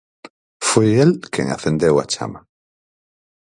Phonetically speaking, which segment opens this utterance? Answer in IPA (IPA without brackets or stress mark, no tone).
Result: f